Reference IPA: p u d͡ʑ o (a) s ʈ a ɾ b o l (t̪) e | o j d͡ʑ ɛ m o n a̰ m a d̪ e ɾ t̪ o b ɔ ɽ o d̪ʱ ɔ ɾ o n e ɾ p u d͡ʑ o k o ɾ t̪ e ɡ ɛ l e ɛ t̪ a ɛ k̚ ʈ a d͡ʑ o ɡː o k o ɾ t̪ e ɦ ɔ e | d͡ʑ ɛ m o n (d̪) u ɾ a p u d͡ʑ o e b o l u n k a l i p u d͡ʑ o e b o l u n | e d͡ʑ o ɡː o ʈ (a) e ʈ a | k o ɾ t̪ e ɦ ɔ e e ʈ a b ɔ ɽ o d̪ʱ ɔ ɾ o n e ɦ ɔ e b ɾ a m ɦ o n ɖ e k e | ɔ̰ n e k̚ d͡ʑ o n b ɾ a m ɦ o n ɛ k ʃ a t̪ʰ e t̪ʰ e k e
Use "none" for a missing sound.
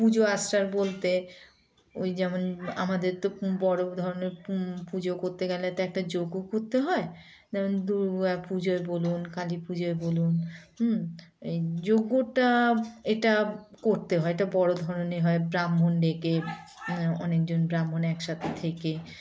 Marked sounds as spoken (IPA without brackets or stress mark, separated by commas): a, t̪, d̪, a